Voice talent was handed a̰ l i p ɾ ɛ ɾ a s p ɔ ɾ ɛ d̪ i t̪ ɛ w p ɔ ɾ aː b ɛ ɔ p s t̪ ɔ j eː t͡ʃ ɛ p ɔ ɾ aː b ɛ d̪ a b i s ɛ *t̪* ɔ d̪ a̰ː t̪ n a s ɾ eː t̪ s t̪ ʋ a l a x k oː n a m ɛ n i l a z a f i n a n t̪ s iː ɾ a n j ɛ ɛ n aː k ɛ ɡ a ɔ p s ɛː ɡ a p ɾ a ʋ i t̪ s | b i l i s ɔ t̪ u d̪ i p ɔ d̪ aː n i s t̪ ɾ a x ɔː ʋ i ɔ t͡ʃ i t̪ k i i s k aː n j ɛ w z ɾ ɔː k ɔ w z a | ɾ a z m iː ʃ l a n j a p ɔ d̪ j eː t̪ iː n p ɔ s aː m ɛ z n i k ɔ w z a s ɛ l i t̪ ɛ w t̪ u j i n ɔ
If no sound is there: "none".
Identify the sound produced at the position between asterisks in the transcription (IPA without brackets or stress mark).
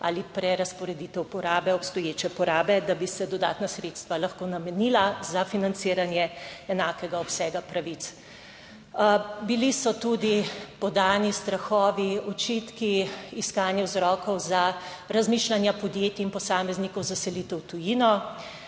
d̪